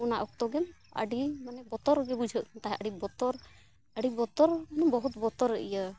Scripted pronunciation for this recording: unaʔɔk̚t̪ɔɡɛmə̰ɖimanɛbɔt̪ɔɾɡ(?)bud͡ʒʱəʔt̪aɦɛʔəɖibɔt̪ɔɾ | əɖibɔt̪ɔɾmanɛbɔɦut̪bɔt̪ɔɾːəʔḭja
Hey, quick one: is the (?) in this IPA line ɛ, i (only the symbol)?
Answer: ɛ